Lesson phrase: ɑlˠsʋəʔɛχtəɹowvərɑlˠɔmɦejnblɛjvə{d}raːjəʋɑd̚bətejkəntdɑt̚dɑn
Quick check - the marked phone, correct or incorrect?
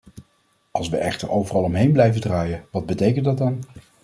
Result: correct